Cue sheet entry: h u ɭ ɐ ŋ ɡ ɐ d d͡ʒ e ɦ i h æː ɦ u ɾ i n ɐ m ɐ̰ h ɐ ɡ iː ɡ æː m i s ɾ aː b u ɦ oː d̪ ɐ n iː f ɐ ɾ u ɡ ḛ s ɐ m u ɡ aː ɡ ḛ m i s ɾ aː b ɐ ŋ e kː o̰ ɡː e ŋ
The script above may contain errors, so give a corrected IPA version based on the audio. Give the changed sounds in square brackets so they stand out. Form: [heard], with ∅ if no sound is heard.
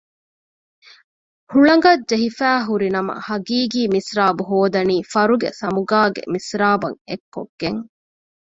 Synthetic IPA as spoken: h u ɭ ɐ ŋ ɡ ɐ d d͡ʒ e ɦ i [f] æː ɦ u ɾ i n ɐ m ɐ̰ h ɐ ɡ iː ɡ [iː] m i s ɾ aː b u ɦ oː d̪ ɐ n iː f ɐ ɾ u ɡ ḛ s ɐ m u ɡ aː ɡ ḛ m i s ɾ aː b ɐ ŋ e kː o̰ ɡː e ŋ